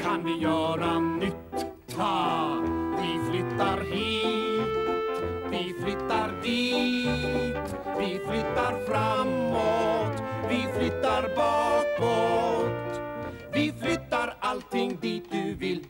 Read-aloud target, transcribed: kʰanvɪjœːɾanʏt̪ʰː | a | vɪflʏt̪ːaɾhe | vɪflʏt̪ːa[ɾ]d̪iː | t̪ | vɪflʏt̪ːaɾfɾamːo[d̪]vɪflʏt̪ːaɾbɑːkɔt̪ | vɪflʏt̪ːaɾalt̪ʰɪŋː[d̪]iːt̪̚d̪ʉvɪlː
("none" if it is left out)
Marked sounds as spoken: ɾ, t̪, d̪

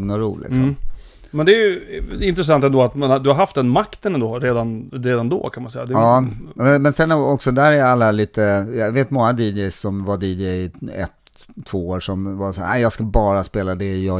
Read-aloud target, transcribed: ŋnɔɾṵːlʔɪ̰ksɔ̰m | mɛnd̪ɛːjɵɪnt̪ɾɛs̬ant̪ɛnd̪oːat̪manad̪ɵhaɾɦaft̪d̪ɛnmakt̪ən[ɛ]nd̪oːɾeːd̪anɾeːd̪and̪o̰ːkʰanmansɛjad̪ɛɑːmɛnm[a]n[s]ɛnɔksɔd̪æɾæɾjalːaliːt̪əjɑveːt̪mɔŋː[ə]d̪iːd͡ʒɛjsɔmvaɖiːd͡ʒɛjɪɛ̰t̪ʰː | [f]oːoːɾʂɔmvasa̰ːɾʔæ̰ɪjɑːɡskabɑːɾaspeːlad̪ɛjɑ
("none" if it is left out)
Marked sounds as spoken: ɛ, ɛ, s, a, v

